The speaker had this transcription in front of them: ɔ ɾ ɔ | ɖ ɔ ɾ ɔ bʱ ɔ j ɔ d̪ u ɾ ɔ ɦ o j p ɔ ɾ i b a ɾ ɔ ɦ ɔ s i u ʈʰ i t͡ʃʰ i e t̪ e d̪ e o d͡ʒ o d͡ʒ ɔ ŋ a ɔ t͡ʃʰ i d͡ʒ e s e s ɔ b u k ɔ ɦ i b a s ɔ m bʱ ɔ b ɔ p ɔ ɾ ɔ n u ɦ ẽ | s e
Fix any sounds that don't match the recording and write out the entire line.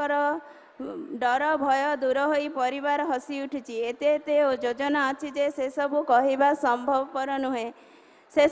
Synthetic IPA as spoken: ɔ ɾ ɔ | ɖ ɔ ɾ ɔ bʱ ɔ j ɔ d̪ u ɾ ɔ ɦ o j p ɔ ɾ i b a ɾ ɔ ɦ ɔ s i u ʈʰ i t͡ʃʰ i e t̪ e t̪ e o d͡ʒ o d͡ʒ ɔ n a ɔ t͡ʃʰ i d͡ʒ e s e s ɔ b u k ɔ ɦ i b a s ɔ m bʱ ɔ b ɔ p ɔ ɾ ɔ n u ɦ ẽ | s e